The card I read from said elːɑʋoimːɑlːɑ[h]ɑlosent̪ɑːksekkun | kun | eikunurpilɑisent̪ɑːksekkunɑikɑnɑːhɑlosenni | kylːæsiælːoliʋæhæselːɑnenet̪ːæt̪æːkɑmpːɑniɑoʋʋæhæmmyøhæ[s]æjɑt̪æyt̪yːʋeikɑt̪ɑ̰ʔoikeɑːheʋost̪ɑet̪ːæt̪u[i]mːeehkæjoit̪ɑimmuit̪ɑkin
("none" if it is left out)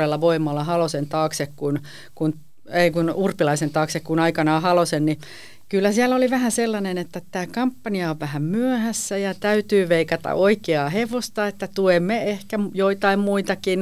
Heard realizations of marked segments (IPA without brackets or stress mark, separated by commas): h, sː, e